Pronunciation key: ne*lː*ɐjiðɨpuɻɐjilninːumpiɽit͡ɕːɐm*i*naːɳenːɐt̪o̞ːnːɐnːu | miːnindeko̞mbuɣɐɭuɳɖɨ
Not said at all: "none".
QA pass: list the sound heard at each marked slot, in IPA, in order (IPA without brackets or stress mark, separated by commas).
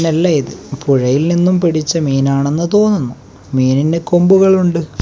lː, iː